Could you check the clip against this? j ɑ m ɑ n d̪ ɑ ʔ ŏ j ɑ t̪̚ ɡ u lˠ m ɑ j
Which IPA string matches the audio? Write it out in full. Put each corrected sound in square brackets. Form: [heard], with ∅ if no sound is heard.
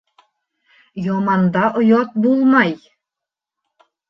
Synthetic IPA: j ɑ m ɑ n d̪ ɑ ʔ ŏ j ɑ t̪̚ [b] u lˠ m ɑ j